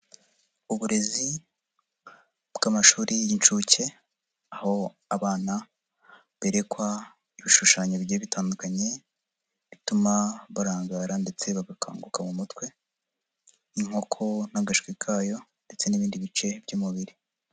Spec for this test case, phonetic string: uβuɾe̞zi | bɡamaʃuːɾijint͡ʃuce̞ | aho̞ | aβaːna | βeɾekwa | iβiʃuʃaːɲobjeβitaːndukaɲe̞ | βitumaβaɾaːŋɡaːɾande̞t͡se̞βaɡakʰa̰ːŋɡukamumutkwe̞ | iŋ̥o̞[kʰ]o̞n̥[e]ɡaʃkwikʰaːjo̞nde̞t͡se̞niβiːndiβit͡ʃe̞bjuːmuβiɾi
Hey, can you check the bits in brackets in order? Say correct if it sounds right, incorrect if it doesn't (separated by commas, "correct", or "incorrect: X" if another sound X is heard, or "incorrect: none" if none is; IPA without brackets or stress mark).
correct, incorrect: a